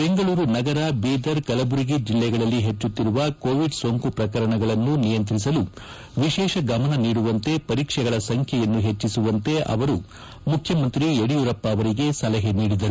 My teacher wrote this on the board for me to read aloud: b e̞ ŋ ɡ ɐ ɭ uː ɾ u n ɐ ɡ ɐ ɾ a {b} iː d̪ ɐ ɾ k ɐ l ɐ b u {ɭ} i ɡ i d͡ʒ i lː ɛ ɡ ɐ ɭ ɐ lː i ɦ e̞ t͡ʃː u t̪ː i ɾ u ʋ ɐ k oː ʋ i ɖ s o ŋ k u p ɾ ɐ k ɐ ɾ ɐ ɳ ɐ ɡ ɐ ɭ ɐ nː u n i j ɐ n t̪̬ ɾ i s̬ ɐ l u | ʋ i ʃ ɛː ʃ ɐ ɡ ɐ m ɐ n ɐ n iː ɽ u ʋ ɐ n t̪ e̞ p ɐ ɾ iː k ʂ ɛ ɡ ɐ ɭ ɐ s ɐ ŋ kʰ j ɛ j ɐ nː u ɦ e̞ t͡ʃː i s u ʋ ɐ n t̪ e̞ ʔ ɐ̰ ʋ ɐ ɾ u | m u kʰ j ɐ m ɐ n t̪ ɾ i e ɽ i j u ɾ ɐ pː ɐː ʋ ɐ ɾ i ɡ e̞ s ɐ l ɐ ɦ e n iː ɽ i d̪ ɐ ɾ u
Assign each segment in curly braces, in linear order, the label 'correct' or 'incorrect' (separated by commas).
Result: correct, incorrect